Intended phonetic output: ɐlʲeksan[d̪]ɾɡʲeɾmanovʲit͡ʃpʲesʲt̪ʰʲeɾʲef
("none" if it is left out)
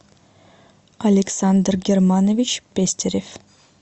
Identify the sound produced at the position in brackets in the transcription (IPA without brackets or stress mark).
d̪